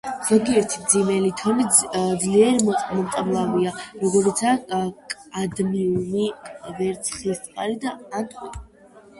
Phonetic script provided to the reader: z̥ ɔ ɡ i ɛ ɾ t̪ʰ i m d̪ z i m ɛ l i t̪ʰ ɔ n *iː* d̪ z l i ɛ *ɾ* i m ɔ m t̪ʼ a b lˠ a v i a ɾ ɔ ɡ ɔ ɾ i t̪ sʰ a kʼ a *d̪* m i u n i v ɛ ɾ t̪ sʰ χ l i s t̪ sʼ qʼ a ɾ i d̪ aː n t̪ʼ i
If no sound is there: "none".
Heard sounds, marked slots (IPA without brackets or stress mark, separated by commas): i, ɾ, d̪